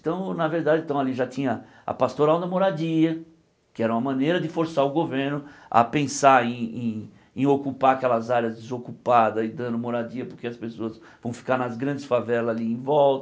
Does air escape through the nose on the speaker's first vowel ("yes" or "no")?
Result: yes